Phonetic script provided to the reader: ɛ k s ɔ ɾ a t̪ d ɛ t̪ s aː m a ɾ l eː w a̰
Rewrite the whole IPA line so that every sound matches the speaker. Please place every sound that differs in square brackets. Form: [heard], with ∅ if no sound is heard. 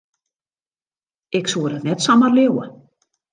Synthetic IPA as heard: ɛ k s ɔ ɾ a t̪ [n] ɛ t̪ s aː m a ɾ l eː w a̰